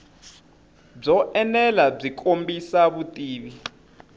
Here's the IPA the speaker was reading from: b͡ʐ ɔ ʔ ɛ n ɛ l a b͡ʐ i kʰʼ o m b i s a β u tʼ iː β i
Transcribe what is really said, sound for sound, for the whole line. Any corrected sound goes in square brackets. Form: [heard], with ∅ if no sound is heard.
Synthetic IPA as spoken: b͡ʐ ɔ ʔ ɛ n ɛ l a b͡ʐ i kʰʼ o m b i s a β u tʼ iː β i